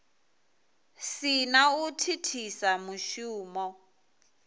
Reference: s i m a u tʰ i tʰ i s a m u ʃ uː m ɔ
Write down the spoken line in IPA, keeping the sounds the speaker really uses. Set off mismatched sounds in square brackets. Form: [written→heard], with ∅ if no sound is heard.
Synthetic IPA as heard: s i [m→n] a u tʰ i tʰ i s a m u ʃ uː m ɔ